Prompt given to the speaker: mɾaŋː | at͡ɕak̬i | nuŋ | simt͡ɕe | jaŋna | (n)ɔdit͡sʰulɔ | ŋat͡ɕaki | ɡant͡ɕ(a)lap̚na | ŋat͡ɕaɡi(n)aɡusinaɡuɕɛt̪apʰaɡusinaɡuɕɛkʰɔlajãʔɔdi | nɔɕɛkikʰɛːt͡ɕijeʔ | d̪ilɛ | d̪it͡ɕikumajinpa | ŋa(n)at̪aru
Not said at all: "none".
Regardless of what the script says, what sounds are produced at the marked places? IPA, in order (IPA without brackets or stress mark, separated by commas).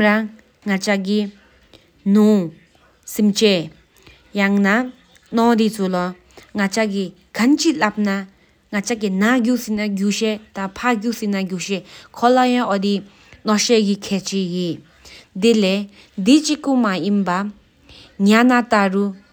n, i, n, n